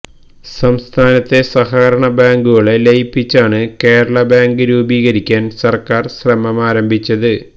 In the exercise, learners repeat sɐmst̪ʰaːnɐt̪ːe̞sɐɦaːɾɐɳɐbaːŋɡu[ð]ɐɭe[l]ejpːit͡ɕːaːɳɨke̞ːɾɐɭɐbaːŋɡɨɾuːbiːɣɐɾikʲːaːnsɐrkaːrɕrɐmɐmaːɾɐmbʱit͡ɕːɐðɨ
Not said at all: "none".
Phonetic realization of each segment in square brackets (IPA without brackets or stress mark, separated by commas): ɣ, l